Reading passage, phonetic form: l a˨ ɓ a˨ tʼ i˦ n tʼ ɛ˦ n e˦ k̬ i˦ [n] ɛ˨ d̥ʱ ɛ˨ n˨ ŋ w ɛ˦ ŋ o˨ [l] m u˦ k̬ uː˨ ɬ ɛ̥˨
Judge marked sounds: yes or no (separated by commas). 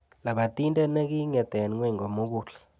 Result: no, no